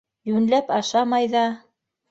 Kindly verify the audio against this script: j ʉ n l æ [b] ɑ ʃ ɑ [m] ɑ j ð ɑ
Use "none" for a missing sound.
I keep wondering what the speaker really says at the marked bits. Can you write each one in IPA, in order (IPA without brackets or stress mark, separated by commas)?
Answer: p, m